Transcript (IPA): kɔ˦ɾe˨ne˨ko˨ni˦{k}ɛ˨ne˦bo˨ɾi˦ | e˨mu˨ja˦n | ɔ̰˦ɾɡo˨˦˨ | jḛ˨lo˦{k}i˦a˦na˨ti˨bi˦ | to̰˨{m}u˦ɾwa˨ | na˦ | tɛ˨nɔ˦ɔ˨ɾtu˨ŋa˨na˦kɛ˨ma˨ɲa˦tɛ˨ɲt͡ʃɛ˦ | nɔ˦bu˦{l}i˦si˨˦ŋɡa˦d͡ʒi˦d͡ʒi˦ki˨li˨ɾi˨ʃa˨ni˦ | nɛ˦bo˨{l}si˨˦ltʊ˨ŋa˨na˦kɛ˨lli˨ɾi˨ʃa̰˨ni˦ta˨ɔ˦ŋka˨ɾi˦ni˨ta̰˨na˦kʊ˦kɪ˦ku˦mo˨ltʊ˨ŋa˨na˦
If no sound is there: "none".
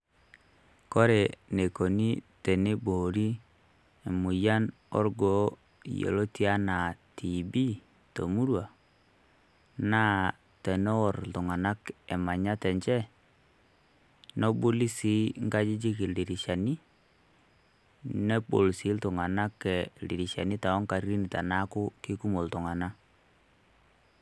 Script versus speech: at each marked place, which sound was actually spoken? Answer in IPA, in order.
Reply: t, t, m, l, l

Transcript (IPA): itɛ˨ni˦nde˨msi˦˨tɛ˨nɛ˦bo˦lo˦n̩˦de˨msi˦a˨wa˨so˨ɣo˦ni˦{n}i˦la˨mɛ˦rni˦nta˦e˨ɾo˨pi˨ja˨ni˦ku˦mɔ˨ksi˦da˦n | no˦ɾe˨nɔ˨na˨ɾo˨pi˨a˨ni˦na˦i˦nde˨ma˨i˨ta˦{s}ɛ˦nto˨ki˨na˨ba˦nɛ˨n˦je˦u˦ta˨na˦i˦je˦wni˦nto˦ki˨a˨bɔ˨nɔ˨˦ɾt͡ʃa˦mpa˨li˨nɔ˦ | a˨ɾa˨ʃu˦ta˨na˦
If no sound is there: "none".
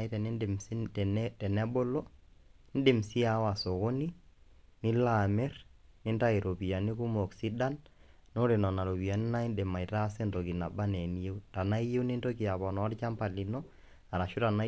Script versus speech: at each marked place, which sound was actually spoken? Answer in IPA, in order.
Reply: n, s

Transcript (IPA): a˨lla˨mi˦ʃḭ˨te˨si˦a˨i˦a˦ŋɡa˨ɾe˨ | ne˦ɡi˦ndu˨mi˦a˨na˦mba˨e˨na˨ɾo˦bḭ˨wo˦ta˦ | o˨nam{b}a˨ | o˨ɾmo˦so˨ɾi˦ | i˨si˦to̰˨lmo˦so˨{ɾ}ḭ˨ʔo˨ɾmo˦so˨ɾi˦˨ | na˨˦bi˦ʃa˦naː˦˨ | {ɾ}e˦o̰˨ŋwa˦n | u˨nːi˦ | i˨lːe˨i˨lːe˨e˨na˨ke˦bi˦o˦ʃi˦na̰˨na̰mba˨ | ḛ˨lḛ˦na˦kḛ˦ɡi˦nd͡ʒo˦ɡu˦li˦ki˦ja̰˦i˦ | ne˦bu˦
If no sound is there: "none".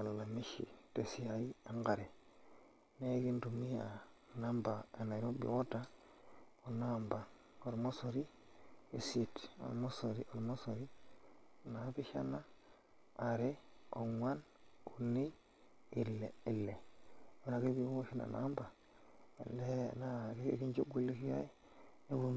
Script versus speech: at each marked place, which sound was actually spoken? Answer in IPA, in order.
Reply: b, ɾ, ɾ

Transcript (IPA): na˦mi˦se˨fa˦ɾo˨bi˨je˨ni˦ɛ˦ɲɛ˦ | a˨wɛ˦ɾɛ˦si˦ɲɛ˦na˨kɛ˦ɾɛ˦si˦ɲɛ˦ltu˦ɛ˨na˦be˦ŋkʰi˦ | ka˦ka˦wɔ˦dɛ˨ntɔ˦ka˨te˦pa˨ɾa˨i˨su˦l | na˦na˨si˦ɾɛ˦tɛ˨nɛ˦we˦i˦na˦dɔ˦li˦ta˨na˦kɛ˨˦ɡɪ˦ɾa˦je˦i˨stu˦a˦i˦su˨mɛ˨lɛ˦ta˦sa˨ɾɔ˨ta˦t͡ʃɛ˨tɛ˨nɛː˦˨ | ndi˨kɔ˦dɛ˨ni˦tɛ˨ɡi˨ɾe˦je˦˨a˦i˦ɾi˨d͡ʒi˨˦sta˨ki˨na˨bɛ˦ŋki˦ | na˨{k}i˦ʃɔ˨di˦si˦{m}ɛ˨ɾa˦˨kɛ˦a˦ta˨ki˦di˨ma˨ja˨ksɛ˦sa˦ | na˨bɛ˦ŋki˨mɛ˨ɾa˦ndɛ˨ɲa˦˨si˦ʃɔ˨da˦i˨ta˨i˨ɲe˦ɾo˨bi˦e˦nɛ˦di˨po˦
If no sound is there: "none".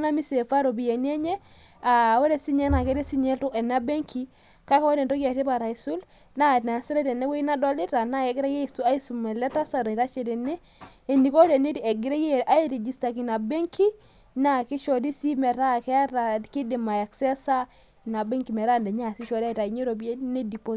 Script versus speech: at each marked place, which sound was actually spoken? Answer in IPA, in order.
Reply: k, m

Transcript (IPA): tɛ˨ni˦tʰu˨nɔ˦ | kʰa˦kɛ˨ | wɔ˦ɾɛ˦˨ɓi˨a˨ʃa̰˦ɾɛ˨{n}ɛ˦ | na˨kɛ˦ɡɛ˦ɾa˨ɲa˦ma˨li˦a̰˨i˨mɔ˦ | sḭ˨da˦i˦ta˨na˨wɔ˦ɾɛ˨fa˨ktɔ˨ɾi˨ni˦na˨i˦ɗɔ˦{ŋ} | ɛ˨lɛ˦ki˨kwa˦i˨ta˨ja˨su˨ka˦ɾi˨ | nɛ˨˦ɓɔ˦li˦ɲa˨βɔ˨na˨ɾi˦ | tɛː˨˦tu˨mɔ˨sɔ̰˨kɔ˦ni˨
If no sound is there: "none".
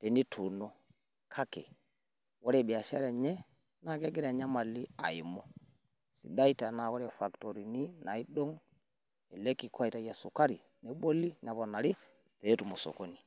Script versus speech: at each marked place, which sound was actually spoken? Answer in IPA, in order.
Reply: ɲ, ŋ

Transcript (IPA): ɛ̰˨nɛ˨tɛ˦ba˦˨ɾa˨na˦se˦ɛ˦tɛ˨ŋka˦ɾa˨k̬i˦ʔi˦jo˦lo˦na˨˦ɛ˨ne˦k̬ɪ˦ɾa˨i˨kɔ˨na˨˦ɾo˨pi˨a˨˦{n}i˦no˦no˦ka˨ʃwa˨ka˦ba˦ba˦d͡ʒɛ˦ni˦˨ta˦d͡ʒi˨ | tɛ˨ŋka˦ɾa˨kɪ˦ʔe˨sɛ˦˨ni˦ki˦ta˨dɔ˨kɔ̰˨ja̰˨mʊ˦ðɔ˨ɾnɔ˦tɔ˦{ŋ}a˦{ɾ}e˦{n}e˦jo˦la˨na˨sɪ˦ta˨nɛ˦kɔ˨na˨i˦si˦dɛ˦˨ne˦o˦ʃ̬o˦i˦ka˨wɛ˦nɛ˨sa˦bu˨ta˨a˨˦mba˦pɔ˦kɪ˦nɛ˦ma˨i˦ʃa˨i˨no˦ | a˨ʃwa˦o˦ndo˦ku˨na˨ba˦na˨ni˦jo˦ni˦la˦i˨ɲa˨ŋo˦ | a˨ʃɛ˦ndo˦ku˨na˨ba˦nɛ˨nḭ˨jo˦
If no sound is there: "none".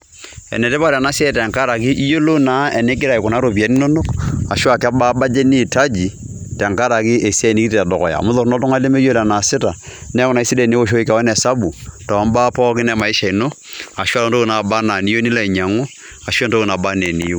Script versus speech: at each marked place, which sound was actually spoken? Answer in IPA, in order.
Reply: n, ŋ, l, m

